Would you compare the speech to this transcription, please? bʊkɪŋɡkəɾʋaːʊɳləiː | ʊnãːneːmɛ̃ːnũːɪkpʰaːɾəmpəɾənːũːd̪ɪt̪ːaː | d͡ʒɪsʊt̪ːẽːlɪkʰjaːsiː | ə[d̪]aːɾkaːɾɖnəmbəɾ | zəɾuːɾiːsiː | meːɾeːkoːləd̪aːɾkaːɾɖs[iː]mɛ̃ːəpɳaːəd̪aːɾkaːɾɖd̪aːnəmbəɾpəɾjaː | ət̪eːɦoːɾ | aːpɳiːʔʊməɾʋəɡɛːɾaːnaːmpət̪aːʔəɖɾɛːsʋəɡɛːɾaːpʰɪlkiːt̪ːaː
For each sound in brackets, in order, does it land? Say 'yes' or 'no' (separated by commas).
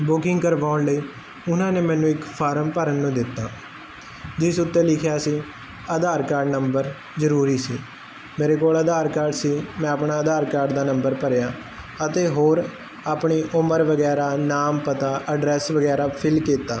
yes, yes